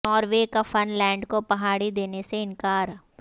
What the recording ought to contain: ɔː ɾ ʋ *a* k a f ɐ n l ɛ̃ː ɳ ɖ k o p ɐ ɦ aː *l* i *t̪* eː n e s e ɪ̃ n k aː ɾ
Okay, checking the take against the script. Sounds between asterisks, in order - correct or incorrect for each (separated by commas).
incorrect, incorrect, incorrect